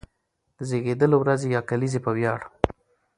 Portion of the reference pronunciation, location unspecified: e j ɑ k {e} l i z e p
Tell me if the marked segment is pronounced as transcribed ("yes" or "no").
no